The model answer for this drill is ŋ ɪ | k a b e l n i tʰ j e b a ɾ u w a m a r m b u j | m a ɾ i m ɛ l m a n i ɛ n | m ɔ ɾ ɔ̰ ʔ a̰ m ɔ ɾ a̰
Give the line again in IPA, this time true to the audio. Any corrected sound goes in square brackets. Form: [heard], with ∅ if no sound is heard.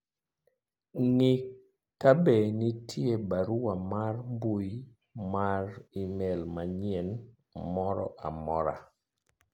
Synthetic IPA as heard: ŋ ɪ | k a b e [∅] n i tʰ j e b a ɾ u w a m a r m b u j | m a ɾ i m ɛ l m a [ɲ] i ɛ n | m ɔ ɾ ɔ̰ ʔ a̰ m ɔ ɾ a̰

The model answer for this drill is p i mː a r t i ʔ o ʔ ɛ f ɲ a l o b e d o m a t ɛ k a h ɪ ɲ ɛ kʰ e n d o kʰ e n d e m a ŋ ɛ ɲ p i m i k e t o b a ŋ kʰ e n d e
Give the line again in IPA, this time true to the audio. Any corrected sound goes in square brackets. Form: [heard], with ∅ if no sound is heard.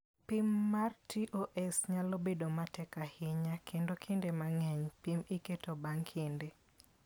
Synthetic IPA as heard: p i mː a r t i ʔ o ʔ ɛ [s] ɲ a l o b e d o m a t ɛ k a h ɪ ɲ [a] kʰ e n d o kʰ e n d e m a ŋ ɛ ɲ p i m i k e t o b a ŋ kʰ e n d e

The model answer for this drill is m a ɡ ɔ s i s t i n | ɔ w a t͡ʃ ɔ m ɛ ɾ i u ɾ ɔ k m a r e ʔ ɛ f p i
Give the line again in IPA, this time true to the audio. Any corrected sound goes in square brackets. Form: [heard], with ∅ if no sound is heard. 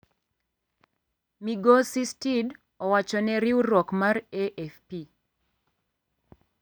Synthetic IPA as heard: m [i] ɡ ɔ s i s t i [d] | ɔ w a t͡ʃ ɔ [n] ɛ ɾ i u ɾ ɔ k m a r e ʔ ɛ f p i

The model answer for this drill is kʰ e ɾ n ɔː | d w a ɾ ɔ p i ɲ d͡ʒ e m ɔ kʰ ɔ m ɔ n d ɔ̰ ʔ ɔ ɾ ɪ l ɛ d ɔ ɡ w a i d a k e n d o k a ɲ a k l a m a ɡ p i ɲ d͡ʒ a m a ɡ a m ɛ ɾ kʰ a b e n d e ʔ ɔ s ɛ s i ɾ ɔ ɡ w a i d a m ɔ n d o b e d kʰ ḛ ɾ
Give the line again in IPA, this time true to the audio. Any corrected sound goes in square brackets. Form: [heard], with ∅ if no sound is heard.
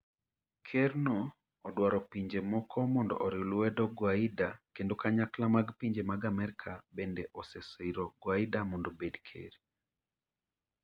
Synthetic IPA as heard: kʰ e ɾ n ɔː | d w a ɾ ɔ p i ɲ d͡ʒ e m ɔ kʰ ɔ m ɔ n d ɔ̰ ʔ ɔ ɾ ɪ l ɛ d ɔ ɡ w a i d a k e n d o k a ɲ a k l a m a ɡ p i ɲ d͡ʒ [e] m a ɡ a m ɛ ɾ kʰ a b e n d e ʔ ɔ s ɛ s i ɾ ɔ ɡ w a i d a m ɔ n d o b e d kʰ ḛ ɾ

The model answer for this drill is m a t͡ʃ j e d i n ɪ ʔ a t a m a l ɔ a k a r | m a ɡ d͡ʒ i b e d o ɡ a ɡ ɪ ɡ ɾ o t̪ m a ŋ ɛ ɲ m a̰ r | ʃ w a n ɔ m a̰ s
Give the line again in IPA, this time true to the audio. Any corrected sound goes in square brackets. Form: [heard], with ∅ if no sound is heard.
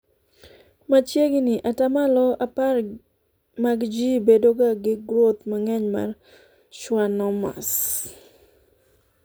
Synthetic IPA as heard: m a t͡ʃ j e [ɡ] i n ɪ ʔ a t a m a l ɔ a [p] a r | m a ɡ d͡ʒ i b e d o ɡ a ɡ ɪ ɡ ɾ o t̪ m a ŋ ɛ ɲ m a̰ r | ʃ w a n ɔ m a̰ s

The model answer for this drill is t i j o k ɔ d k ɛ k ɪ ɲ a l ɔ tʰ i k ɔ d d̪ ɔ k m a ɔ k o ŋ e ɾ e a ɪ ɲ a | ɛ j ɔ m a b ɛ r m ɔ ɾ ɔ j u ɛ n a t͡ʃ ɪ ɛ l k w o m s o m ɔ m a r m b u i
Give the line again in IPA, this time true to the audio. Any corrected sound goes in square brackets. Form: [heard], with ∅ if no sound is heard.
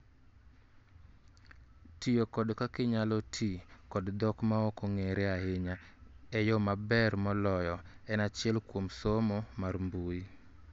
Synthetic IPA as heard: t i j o k ɔ d k [a] k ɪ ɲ a l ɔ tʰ i k ɔ d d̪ ɔ k m a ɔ k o ŋ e ɾ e a ɪ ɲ a | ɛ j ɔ m a b ɛ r m ɔ [l] ɔ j [ɔ] ɛ n a t͡ʃ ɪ ɛ l k w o m s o m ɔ m a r m b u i

